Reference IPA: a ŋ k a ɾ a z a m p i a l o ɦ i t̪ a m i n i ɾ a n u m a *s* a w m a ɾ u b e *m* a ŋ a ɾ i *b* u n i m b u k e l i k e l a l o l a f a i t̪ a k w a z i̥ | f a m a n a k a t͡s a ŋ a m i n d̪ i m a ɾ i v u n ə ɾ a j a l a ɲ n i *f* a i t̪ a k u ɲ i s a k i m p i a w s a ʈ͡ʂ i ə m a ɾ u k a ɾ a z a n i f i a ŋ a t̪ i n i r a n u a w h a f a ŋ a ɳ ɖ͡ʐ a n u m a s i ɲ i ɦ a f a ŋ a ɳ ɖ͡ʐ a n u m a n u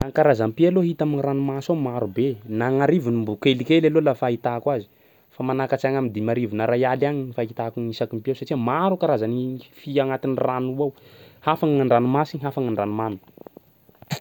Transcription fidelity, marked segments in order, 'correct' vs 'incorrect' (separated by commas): correct, incorrect, incorrect, correct